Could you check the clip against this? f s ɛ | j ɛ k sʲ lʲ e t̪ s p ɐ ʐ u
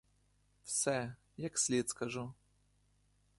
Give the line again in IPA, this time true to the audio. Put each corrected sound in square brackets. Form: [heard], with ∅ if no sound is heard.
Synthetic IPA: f s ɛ | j [a] k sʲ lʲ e t̪ s [k] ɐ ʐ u